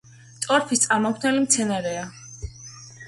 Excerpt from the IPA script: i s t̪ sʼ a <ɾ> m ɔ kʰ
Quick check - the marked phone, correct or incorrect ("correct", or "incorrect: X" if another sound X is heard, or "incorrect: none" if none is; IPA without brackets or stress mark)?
correct